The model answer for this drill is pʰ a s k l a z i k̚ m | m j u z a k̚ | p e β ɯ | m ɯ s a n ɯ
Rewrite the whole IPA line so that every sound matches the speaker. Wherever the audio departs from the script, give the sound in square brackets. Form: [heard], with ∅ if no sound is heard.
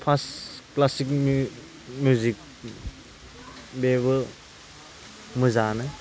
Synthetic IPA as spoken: pʰ a s k l a [s] i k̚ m | m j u z [i] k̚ | [b] e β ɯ | m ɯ [z] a n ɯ